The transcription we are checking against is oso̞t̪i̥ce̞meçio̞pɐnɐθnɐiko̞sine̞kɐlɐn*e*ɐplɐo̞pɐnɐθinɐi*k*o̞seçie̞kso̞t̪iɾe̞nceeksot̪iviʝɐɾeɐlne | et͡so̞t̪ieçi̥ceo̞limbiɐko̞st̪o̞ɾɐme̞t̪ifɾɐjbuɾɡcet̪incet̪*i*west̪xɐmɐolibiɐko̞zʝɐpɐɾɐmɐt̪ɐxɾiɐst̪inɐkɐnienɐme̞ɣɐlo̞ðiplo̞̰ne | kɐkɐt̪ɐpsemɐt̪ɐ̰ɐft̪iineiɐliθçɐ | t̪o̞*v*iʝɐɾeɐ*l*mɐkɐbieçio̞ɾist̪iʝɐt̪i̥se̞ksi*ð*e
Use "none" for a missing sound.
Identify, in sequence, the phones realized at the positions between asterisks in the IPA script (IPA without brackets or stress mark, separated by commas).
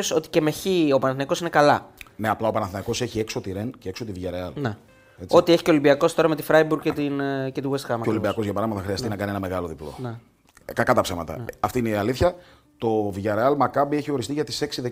e, k, i, v, l, ð